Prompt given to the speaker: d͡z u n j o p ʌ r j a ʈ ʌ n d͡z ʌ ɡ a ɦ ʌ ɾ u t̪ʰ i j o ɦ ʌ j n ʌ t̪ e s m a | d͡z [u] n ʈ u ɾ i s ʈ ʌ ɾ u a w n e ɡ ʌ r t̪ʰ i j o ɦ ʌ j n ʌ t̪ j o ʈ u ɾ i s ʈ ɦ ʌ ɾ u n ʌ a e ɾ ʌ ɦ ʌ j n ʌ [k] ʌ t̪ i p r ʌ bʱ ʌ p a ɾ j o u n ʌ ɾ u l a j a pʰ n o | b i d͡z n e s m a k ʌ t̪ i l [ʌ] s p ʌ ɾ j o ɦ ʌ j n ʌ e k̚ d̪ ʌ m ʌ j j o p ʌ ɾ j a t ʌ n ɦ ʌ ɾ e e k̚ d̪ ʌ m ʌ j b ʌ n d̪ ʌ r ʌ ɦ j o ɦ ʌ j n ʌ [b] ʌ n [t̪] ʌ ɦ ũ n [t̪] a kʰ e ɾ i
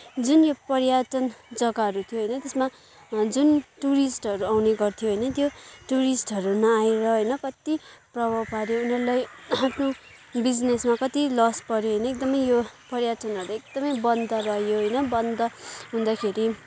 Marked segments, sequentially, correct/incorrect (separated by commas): correct, correct, correct, correct, incorrect, incorrect